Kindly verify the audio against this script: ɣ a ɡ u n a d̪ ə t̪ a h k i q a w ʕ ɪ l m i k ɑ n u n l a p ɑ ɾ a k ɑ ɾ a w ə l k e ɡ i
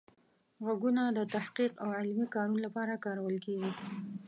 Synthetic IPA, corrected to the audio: ɣ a ɡ u n a d̪ ə t̪ a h q i q a w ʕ ɪ l m i k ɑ n u n l a p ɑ ɾ a k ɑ ɾ a w ə l k e ɡ i

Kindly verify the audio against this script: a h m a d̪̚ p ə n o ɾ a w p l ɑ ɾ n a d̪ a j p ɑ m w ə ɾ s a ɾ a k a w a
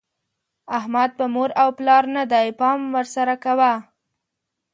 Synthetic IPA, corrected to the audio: a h m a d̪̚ p ə m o ɾ a w p l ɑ ɾ n a d̪ a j p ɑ m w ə ɾ s a ɾ a k a w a

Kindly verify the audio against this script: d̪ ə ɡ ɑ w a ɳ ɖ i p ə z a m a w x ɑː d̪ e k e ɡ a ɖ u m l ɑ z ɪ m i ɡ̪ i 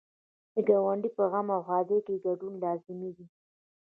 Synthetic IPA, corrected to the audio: d̪ ə ɡ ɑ w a ɳ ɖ i p ə ɣ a m a w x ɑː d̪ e k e ɡ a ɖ u n l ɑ z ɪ m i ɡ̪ i

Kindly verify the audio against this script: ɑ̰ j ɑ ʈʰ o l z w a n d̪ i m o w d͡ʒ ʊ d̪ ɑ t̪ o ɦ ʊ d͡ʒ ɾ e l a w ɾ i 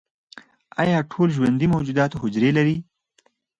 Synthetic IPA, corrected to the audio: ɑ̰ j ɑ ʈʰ o l ʒ w a n d̪ i m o w d͡ʒ u d̪ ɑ t̪ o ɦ ʊ d͡ʒ ɾ e l a ɾ i

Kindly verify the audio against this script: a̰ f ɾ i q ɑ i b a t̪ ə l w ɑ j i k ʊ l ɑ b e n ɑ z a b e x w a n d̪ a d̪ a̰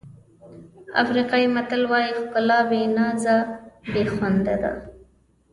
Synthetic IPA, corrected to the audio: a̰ f ɾ i q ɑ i m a t̪ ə l w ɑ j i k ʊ l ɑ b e n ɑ z a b e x w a n d̪ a d̪ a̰

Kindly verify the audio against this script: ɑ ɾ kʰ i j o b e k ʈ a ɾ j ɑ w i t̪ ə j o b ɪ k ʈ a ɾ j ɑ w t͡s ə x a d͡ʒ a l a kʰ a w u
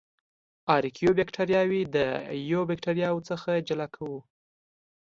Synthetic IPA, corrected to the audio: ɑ ɾ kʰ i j o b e k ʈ a ɾ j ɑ w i d̪ ə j o b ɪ k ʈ a ɾ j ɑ w t͡s ə x a d͡ʒ a l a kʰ a w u

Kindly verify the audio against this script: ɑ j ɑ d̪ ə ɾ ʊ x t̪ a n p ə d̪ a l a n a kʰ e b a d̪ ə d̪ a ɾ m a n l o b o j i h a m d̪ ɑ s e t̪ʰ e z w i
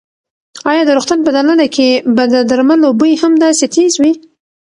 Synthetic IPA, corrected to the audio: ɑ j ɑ d̪ ə ɾ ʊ x t̪ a n p ə d̪ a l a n a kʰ e b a d̪ ə d̪ a ɾ m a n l o b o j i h a m d̪ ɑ s e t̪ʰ e z w i

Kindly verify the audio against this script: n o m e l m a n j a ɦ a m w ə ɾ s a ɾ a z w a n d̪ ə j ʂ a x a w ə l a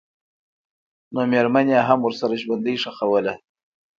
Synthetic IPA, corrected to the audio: n o m e ɾ m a n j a ɦ a m w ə ɾ s a ɾ a ʒ w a n d̪ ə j ʂ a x a w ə l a

